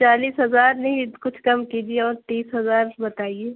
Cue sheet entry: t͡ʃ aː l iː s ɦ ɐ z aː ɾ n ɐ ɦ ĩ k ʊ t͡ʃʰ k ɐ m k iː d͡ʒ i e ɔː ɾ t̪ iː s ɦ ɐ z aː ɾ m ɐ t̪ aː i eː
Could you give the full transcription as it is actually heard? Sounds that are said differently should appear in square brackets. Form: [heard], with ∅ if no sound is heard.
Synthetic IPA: t͡ʃ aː l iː s ɦ ɐ z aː ɾ n ɐ ɦ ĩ k ʊ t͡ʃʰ k ɐ m k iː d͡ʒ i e ɔː ɾ t̪ iː s ɦ ɐ z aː ɾ [b] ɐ t̪ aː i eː